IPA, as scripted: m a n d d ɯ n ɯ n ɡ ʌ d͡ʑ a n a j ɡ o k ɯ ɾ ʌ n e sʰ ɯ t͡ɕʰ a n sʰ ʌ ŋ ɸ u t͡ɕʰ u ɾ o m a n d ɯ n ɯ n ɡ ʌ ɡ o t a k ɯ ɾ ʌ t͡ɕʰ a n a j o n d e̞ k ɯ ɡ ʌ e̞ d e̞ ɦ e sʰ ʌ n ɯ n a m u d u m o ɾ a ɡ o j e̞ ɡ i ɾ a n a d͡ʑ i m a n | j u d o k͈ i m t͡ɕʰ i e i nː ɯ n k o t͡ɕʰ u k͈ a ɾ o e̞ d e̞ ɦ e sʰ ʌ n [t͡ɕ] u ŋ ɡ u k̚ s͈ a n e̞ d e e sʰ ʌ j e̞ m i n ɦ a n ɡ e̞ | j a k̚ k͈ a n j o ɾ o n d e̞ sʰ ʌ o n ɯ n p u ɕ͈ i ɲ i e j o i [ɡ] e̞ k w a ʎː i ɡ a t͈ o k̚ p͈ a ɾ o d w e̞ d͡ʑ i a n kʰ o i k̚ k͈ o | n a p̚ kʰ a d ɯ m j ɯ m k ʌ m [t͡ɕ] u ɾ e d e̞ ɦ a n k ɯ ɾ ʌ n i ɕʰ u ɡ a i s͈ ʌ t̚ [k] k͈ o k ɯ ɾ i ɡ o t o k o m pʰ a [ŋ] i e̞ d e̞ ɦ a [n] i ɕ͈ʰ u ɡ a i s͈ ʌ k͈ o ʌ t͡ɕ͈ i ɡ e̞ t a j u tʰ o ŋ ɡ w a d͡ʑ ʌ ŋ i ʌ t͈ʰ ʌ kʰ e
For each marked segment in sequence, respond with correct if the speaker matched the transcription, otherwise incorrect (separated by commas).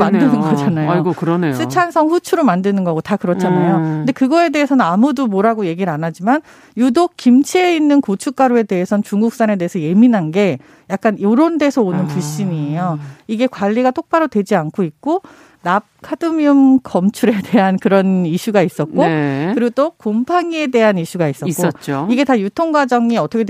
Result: correct, correct, incorrect, correct, correct, correct